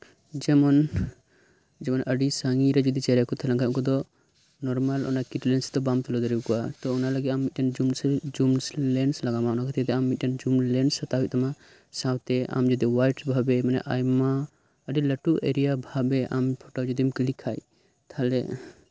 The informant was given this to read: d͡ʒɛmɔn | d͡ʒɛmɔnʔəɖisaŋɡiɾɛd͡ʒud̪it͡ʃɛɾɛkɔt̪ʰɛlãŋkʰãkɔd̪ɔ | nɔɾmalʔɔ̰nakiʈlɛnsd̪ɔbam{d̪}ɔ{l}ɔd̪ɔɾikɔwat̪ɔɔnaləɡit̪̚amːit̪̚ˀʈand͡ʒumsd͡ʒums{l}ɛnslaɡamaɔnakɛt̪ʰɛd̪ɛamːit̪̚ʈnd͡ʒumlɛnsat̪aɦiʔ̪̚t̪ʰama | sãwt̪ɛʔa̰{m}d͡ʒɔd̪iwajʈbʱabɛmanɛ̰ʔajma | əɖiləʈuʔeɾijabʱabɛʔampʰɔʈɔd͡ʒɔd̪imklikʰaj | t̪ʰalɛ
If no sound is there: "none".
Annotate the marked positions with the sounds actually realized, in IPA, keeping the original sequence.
t̪, l, l, m

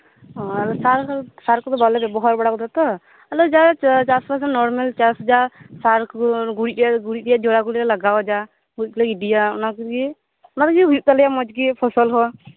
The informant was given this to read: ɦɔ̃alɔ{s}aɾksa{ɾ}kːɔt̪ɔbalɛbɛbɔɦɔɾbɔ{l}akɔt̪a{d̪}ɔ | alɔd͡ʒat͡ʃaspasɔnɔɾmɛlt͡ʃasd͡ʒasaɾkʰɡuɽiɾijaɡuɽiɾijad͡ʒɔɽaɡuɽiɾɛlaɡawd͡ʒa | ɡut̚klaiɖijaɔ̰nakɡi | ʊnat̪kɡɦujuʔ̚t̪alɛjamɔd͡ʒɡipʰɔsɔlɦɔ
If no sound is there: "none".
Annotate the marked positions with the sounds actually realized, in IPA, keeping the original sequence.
s, ɾ, ɽ, t̪

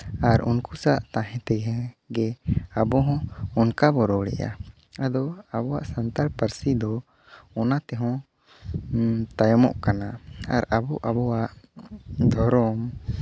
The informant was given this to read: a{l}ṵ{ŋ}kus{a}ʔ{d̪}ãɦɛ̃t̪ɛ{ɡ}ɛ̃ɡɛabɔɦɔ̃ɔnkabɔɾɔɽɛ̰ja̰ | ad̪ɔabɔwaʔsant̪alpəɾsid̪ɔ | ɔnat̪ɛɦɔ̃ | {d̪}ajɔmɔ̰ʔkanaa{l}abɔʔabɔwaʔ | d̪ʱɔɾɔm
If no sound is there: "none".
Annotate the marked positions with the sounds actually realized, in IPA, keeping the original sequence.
ɾ, n, a, t̪, ɡ, t̪, ɾ

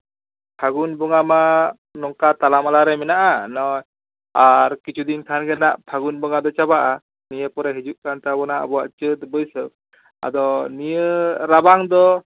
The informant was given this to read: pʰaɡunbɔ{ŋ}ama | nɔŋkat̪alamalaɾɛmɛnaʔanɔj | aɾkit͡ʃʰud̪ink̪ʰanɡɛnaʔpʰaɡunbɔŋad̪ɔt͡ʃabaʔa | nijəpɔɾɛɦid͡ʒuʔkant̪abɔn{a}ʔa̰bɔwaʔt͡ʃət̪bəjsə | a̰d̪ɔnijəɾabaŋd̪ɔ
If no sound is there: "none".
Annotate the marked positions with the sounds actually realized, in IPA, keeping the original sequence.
ŋ, a

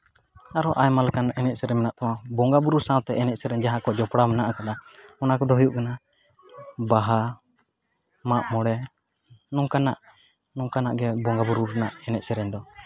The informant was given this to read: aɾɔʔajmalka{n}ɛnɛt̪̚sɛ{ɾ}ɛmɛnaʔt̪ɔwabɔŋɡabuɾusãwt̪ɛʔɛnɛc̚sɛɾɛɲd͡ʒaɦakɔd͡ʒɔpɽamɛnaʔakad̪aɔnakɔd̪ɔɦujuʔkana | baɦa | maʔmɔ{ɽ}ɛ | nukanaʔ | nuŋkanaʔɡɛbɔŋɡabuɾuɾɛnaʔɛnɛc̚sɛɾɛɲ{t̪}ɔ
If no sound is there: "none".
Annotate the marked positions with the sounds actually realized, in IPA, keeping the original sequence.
n, ɾ, ɽ, d̪

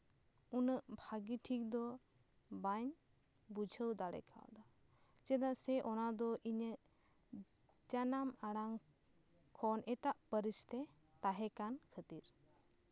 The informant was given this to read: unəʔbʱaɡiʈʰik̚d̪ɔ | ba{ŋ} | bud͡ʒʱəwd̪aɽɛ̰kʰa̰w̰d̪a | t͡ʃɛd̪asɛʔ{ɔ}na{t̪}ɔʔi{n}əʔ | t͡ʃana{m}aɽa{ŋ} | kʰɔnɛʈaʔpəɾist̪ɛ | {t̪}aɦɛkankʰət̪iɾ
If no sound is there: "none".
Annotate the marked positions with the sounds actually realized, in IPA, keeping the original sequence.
ɲ, ɔ, d̪, ɲ, m, ŋ, t̪

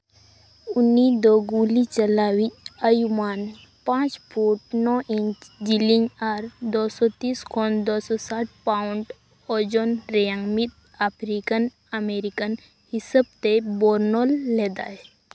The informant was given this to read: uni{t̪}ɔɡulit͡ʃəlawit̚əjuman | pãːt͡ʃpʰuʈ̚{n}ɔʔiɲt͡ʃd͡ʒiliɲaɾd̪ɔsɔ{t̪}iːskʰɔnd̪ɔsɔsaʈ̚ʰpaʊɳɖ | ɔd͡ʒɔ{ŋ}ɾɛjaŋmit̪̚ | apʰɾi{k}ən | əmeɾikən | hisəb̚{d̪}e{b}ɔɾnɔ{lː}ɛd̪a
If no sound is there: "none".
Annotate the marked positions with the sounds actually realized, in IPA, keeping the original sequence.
d̪, n, t̪, n, k, t̪, b, lː

